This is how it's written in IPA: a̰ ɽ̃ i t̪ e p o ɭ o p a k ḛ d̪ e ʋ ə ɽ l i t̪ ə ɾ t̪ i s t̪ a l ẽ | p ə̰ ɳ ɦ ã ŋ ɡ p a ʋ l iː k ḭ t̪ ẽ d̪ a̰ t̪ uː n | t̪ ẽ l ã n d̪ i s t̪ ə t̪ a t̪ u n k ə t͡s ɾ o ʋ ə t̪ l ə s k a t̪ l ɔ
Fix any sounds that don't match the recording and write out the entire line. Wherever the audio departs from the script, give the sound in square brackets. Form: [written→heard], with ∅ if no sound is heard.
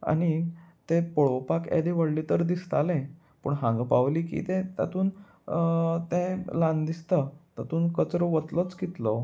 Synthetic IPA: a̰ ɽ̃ i t̪ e p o ɭ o p a k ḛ d̪ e ʋ ə ɽ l i t̪ ə ɾ [t̪→d̪] i s t̪ a l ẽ | p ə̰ ɳ ɦ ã ŋ ɡ p a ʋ l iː k ḭ t̪ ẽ [d̪→t̪] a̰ t̪ uː n | t̪ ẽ l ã n d̪ i s t̪ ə t̪ a t̪ [u→uː] n k ə t͡s ɾ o ʋ ə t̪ l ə [s→t͡s] k [a→i] t̪ l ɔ